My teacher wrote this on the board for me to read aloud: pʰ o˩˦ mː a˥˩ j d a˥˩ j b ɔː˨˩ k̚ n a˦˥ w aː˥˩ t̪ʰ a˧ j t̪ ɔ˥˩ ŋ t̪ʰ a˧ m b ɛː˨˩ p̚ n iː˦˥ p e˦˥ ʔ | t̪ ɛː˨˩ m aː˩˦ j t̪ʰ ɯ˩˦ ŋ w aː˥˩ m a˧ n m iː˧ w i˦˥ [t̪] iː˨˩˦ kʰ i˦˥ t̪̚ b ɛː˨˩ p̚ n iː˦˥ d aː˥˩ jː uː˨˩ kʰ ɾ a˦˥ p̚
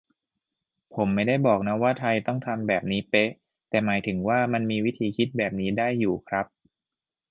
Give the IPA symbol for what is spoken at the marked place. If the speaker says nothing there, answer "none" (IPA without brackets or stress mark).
t̪ʰ